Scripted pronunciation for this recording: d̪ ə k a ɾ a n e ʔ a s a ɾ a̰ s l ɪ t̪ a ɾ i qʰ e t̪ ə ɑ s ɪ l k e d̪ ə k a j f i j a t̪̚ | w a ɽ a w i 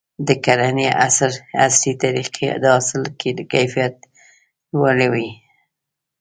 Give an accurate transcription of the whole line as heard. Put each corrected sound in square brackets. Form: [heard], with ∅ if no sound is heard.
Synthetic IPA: d̪ ə k a ɾ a n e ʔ a s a ɾ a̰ s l [i] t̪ a ɾ i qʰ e [d̪] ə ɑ s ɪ l k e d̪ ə k a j f i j a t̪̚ | w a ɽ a w i

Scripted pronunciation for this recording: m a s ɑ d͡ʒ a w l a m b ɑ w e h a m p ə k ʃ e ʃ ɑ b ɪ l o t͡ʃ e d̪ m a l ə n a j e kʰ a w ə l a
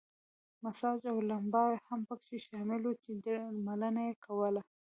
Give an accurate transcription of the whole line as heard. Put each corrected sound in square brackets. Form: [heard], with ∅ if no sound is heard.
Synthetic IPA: m a s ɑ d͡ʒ a w l a m b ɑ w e h a m p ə k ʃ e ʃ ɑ [m] ɪ l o t͡ʃ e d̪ m a l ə n a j e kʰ a w ə l a

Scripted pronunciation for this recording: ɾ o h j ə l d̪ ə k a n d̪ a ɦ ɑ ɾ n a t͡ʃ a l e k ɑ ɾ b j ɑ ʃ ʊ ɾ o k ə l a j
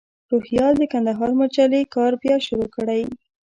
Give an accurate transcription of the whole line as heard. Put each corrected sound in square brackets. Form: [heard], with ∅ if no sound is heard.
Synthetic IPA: ɾ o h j [ɑ] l d̪ ə k a n d̪ a ɦ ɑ ɾ [m] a t͡ʃ a l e k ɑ ɾ b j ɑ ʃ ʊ ɾ o k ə [ɽ] a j

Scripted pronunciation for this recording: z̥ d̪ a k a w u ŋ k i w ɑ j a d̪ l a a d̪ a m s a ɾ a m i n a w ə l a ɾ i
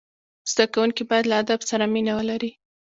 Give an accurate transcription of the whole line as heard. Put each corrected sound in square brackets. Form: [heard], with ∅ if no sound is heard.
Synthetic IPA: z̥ d̪ a k a w u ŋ k i [b] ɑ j a d̪ l a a d̪ a [b] s a ɾ a m i n a w ə l a ɾ i

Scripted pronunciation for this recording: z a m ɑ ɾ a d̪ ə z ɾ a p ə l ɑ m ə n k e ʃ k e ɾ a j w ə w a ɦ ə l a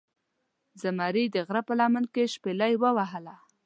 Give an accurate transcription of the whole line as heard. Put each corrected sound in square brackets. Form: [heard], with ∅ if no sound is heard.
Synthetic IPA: z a m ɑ ɾ [i] d̪ ə [ɣ] ɾ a p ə l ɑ m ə n k e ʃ [p] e [l] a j w ə w a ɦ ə l a

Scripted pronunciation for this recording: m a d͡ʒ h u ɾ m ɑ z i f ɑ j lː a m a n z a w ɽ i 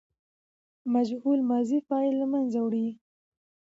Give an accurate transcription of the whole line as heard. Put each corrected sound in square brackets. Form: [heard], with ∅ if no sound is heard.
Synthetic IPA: m a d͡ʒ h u [l] m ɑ z i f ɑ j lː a m a n z a w ɽ i

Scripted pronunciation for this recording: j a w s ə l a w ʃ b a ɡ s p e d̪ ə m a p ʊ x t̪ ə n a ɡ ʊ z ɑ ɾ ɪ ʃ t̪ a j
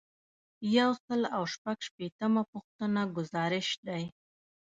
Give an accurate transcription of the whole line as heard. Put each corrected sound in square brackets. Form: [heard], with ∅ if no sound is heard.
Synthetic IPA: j a w s ə l a w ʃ [p] a ɡ [ʃ] p e [t̪] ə m a p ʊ x t̪ ə n a ɡ ʊ z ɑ ɾ ɪ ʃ [d̪] a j

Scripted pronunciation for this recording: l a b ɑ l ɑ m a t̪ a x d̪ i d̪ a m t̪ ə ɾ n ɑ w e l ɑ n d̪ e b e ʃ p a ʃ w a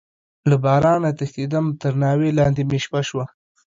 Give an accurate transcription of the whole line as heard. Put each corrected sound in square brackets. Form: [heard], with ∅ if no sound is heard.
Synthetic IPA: l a b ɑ [ɾ] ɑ [n] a t̪ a x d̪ i d̪ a m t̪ ə ɾ n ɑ w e l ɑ n d̪ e [m] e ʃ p a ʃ w a

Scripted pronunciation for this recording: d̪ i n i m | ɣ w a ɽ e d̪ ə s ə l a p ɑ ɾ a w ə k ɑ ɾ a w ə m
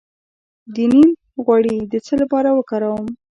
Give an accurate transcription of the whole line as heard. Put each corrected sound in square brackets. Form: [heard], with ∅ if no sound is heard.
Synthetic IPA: d̪ i n i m | ɣ w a ɽ [i] d̪ ə [t͡s] ə l a p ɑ ɾ a w ə k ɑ ɾ a w ə m

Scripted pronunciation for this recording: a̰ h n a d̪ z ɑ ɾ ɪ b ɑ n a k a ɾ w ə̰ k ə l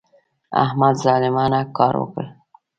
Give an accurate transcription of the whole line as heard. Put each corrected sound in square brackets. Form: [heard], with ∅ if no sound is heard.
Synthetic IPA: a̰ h [m] a d̪ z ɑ [l] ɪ [m] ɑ n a k [ɑ] ɾ w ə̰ k ə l

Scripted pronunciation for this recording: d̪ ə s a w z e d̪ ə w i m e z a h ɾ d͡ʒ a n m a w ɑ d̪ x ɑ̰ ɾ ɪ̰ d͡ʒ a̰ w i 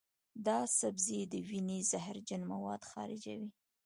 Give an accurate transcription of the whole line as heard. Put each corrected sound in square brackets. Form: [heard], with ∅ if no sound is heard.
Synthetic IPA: d̪ [ɑ] s a [b] z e d̪ ə w i [n] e z a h ɾ d͡ʒ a n m a w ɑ d̪ x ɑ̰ ɾ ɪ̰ d͡ʒ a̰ w i

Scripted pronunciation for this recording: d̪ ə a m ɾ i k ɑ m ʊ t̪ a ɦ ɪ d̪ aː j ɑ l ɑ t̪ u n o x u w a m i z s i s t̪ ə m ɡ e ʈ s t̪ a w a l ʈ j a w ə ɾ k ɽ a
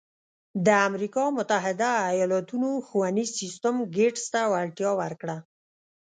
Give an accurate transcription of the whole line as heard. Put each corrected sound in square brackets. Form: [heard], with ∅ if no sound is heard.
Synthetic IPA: d̪ ə a m ɾ i k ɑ m ʊ t̪ a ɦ ɪ d̪ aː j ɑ l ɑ t̪ u n o x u w a [n] i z s i s t̪ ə m ɡ e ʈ s t̪ a w a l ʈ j [ɑ] w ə ɾ k ɽ a

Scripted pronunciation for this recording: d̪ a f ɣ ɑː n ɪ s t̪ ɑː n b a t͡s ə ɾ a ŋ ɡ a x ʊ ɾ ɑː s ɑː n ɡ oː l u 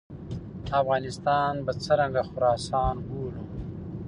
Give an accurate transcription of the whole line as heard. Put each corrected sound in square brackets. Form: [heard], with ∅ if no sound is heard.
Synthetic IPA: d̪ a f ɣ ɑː n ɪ s t̪ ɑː n b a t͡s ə ɾ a ŋ ɡ a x ʊ ɾ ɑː s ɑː n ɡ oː l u

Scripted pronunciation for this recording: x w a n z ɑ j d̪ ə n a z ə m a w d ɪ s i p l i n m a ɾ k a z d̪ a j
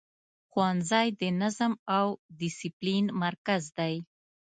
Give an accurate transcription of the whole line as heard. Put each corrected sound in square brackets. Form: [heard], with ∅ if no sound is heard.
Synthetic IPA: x w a n z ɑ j d̪ ə n a z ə m a w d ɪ s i p l i n m a ɾ k a z d̪ a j

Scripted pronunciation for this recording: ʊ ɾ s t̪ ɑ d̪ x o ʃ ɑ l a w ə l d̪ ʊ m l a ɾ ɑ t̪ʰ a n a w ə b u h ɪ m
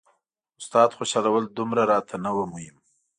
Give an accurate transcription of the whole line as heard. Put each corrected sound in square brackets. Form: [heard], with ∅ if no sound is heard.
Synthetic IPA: ʊ [∅] s t̪ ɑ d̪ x o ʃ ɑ l a w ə l d̪ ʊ m [ɾ] a ɾ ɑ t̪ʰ a n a w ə [m] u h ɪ m

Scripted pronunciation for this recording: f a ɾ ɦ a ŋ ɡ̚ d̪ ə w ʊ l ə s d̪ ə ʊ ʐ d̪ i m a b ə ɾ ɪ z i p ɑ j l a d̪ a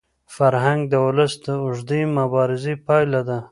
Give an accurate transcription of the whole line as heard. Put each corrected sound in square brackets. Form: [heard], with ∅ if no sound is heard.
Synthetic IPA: f a ɾ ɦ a ŋ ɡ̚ d̪ ə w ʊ l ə s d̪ ə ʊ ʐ d̪ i m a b [ɑ] ɾ ɪ z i p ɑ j l a d̪ a

